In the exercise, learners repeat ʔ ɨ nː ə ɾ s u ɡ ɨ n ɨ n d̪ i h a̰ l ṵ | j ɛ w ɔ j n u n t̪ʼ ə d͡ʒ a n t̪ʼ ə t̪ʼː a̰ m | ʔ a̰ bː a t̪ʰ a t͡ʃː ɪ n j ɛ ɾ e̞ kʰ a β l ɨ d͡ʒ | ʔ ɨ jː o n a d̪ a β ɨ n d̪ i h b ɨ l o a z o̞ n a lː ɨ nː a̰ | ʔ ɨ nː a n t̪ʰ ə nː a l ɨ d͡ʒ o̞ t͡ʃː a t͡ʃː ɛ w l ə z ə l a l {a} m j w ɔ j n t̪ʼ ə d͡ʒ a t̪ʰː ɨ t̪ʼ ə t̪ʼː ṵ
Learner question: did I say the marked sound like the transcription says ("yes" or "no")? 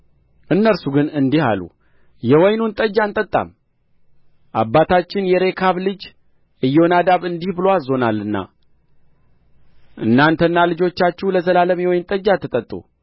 no